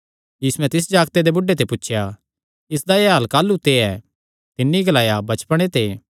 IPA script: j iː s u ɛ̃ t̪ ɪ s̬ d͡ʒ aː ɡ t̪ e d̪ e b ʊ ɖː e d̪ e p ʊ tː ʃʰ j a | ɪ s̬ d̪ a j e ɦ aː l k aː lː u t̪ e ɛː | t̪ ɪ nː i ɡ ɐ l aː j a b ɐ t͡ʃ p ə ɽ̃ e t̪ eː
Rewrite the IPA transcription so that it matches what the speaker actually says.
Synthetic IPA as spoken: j iː s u ɛ̃ t̪ ɪ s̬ d͡ʒ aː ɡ t̪ e d̪ e b ʊ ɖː e t̪ e p ʊ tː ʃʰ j a | ɪ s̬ d̪ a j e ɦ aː l k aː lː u t̪ e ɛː | t̪ ɪ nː i ɡ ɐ l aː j a b ɐ t͡ʃ p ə ɽ̃ e t̪ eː